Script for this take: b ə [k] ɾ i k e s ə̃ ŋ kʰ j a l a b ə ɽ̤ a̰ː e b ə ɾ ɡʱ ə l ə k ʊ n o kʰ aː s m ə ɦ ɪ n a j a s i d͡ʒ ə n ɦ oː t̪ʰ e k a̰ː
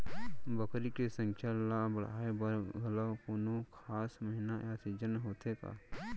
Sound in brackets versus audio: correct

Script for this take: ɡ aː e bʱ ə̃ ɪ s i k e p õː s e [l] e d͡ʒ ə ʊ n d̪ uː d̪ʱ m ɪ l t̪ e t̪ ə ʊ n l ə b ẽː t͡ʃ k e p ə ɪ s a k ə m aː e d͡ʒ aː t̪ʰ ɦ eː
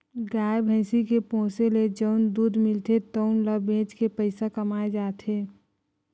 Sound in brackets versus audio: correct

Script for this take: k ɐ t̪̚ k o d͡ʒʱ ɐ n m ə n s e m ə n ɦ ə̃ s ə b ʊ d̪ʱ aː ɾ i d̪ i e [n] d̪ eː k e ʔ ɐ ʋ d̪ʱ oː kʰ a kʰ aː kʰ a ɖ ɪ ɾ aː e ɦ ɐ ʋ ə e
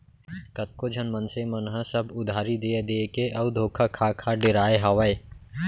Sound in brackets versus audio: incorrect: none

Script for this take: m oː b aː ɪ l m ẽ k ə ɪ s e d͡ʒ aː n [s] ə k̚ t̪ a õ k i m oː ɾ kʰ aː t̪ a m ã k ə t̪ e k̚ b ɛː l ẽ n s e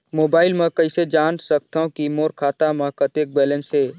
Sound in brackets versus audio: correct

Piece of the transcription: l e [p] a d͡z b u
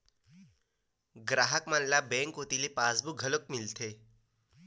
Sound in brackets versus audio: correct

